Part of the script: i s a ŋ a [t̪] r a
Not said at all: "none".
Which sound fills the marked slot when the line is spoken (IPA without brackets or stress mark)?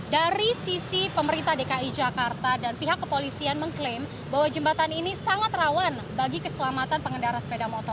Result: t̪